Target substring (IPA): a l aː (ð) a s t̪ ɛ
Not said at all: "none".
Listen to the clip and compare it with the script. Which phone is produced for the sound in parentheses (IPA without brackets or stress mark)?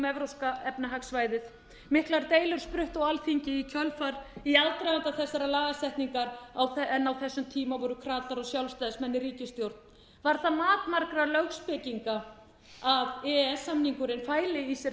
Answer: ɣ